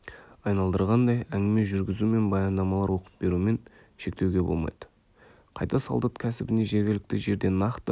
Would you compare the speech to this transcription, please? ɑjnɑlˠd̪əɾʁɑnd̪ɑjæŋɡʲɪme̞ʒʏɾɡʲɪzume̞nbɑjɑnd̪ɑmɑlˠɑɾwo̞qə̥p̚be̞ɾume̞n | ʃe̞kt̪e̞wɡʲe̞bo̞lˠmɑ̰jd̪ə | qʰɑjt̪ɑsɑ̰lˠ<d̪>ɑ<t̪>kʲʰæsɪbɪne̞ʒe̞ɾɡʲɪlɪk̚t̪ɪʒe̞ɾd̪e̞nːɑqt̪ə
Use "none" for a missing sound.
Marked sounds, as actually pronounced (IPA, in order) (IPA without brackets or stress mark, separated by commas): d̪, t̪